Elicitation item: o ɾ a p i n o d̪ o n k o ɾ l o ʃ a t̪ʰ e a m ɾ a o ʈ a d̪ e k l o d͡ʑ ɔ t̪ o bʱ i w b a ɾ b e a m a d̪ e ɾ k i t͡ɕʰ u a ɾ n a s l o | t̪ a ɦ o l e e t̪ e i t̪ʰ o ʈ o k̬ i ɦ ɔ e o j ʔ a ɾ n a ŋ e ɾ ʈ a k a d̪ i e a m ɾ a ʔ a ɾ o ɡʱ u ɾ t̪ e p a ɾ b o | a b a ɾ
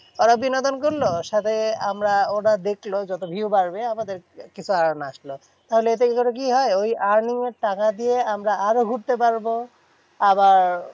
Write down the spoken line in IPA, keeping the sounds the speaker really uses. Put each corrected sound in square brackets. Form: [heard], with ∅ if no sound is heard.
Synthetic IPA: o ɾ a [b] i n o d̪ o n k o ɾ l o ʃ a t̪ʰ e a m ɾ a o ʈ a d̪ e k l o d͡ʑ ɔ t̪ o bʱ i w b a ɾ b e a m a d̪ e ɾ k i t͡ɕʰ u a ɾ n a [ʃ] l o | t̪ a ɦ o l e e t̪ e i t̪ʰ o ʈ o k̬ i ɦ ɔ e o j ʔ a ɾ n [i] ŋ e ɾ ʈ a k a d̪ i e a m ɾ a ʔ a ɾ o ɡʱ u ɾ t̪ e p a ɾ b o | a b a ɾ